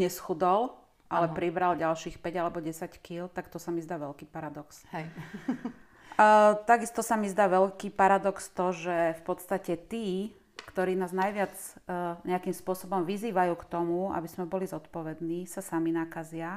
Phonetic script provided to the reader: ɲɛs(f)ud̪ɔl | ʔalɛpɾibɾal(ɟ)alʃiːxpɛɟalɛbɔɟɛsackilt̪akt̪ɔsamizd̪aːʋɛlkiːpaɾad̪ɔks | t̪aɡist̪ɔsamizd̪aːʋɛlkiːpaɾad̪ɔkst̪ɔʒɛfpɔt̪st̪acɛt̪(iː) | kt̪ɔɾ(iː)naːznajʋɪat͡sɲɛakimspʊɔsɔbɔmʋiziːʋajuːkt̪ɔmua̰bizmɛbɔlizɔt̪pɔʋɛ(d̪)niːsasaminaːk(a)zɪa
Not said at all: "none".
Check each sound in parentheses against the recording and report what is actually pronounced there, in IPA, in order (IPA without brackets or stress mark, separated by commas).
x, ɟ, iː, iː, d̪, a